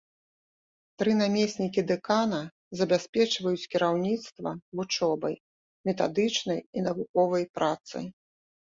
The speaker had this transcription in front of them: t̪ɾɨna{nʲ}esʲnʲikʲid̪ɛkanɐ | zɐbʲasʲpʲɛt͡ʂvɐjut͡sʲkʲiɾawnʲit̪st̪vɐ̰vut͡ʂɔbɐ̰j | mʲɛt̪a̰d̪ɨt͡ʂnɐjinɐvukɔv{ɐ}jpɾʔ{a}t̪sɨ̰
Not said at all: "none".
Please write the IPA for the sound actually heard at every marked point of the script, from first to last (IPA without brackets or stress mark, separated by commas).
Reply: mʲ, ɐ, a